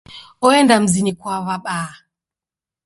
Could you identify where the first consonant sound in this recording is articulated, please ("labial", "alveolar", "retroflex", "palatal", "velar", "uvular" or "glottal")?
alveolar